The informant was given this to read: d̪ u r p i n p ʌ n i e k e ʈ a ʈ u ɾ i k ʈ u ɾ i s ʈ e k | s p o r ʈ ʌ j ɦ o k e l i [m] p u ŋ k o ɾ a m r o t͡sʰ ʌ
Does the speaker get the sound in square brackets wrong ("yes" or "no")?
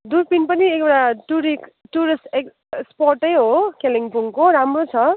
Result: yes